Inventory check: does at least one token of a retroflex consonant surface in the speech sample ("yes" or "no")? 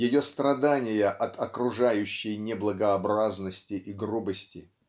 yes